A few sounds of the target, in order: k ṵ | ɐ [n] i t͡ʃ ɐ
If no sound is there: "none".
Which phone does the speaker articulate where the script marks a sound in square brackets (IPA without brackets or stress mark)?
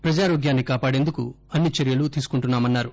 nː